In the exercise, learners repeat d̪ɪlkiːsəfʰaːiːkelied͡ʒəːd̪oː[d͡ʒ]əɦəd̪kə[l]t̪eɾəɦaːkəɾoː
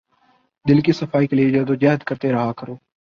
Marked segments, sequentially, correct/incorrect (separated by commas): correct, incorrect